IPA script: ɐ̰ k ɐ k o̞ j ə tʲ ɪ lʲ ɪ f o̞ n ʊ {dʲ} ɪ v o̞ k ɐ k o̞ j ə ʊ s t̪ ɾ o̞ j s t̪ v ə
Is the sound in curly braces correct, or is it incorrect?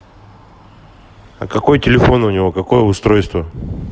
incorrect